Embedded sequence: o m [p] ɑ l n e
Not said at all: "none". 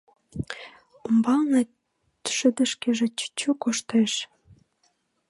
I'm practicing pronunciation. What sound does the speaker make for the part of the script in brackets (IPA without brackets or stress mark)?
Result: b